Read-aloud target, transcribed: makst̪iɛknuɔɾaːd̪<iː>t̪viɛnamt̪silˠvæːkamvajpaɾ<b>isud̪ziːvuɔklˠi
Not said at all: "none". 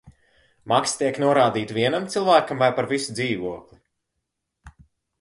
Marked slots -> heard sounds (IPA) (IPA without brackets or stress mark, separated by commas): iː, v